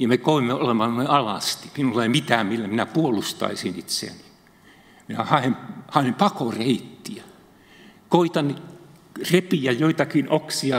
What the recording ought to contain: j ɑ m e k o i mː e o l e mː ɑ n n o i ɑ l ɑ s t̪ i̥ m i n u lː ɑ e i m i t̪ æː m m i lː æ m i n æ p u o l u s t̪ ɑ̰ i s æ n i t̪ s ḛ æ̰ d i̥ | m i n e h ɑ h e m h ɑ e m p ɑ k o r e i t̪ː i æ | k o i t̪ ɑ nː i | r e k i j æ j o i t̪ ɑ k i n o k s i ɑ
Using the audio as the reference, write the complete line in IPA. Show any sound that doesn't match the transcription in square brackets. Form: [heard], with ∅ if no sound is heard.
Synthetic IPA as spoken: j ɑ m e k o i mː e o l e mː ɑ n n o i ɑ l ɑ s t̪ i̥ m i n u lː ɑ e i m i t̪ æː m m i lː æ m i n æ p u o l u s t̪ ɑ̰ i s [i] n i t̪ s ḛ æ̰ [n] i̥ | m i n [æ] h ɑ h e m h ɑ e m p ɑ k o r e i t̪ː i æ | k o i t̪ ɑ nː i | r e [p] i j æ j o i t̪ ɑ k i n o k s i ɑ